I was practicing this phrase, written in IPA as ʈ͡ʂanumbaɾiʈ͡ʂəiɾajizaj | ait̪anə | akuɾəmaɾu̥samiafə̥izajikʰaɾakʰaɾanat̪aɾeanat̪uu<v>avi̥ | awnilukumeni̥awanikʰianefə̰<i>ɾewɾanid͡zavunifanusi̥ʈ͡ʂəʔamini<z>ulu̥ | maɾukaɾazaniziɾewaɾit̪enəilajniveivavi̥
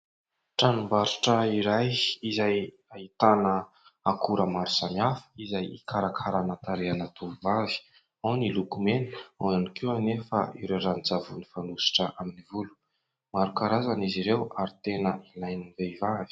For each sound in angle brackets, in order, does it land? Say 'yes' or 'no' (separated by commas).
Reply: yes, yes, no